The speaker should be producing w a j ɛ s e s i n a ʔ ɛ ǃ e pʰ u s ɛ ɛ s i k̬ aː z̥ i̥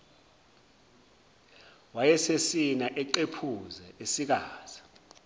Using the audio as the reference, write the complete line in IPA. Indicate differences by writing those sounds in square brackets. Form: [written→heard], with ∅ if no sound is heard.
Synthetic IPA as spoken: w a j ɛ s e s i n a ʔ ɛ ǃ e pʰ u [s→z] ɛ [ɛ→e] s i k̬ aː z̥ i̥